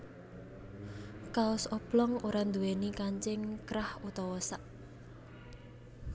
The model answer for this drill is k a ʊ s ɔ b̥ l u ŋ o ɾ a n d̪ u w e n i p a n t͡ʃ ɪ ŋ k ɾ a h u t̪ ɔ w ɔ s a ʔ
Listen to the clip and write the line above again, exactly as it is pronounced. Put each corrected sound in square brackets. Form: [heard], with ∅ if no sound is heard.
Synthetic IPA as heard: k a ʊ s ɔ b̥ l [ɔ] ŋ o ɾ a n d̪ u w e n i [k] a [ɲ] t͡ʃ ɪ ŋ k ɾ a h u t̪ ɔ w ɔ s a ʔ